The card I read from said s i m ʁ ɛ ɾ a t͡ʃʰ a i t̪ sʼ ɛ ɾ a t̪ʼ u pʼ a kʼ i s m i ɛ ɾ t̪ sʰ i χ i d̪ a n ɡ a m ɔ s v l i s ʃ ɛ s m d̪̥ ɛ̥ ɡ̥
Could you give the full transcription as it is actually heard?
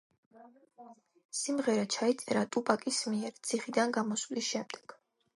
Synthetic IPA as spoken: s i m ʁ ɛ ɾ a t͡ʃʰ a i t̪ sʼ ɛ ɾ a t̪ʼ u pʼ a kʼ i s m i ɛ ɾ t̪ sʰ i χ i d̪ a n ɡ a m ɔ s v l i s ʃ ɛ m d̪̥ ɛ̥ ɡ̥